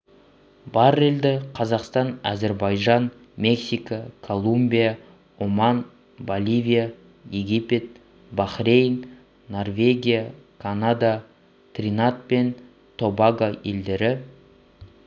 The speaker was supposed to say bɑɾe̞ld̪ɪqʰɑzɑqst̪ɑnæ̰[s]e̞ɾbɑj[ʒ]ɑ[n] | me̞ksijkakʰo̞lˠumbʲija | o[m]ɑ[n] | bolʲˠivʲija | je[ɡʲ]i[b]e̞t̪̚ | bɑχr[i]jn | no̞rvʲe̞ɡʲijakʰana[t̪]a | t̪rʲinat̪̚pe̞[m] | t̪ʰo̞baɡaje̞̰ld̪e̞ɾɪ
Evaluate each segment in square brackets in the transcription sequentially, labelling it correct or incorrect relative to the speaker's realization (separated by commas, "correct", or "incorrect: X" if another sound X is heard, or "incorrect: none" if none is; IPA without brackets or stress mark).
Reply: incorrect: z, correct, correct, correct, correct, correct, incorrect: p, incorrect: e, incorrect: d̪, incorrect: n